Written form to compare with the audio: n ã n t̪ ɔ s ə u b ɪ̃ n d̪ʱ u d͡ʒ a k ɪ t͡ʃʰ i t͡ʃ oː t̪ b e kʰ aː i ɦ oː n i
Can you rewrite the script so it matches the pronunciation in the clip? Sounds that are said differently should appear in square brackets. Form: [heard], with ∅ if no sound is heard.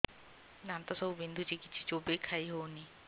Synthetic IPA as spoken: n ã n t̪ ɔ s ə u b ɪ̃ n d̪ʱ u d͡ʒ [i] k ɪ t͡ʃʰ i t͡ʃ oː [∅] b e kʰ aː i ɦ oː n i